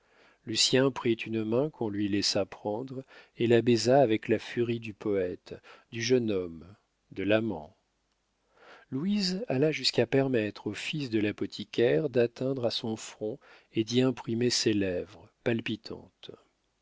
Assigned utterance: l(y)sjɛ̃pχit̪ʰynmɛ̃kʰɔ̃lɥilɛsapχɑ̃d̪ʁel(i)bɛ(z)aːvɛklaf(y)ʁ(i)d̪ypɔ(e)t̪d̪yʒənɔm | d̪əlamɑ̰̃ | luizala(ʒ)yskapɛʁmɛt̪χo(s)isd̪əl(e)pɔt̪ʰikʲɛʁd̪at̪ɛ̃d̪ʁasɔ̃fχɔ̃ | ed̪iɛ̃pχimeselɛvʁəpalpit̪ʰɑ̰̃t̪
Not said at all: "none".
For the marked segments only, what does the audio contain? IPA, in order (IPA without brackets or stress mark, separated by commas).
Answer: y, a, z, y, i, ɛ, ʒ, f, a